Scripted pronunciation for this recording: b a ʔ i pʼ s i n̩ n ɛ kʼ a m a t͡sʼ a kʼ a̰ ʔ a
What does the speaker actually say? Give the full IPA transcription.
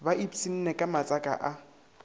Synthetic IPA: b a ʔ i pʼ s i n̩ n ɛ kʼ a m a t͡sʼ a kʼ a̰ ʔ a